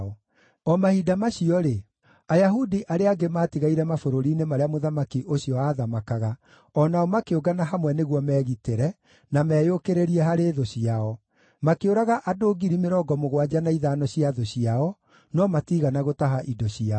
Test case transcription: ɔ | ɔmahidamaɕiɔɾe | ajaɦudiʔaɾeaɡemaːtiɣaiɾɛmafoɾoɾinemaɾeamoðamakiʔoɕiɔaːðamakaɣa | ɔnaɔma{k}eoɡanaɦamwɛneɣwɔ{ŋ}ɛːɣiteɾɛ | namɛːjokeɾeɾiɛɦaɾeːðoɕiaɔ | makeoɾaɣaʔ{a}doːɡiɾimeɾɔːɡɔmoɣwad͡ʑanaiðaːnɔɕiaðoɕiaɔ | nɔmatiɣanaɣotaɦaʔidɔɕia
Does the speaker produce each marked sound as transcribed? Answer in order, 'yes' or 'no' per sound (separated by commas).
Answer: yes, no, yes